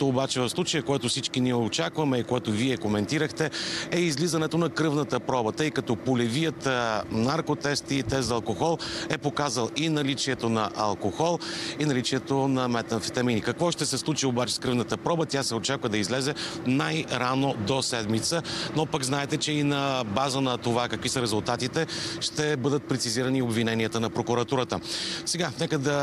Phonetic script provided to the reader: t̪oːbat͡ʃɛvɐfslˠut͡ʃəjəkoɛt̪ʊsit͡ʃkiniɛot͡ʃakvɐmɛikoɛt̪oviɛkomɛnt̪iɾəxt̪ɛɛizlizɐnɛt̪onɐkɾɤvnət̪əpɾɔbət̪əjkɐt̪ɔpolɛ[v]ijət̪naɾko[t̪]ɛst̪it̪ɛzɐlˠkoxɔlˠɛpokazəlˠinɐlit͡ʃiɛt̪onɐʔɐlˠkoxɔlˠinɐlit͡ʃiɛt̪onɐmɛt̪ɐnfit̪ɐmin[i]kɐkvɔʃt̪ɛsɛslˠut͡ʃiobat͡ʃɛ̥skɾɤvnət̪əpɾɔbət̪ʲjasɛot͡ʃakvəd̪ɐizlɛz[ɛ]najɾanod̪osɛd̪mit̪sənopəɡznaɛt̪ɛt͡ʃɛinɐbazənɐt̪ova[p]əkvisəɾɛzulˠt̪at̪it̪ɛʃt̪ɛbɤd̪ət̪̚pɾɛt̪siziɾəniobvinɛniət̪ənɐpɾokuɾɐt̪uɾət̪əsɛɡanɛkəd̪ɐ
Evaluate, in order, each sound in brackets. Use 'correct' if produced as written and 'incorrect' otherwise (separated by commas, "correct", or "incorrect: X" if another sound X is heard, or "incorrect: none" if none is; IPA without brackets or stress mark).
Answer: correct, correct, correct, correct, incorrect: k